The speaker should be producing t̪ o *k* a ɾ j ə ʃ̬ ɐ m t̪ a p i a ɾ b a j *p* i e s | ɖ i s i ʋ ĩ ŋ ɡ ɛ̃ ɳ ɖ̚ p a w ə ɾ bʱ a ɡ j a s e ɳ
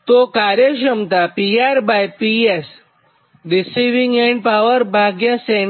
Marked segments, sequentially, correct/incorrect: correct, correct

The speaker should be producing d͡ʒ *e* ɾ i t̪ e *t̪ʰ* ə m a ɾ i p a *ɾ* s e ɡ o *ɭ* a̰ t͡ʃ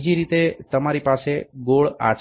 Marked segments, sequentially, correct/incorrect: incorrect: i, incorrect: t̪, incorrect: none, correct

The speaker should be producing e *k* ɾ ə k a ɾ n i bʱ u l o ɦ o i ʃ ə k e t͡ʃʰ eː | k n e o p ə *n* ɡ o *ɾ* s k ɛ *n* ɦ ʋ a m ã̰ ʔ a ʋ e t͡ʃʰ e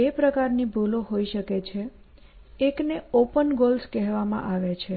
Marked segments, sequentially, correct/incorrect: incorrect: p, correct, incorrect: l, incorrect: none

